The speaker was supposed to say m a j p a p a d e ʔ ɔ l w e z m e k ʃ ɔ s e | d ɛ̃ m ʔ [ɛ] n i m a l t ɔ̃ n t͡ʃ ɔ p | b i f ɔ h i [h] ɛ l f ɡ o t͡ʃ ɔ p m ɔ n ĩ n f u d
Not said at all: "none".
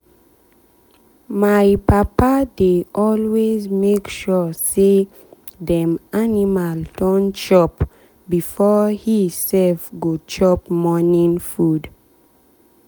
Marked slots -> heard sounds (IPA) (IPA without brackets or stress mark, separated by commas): a, s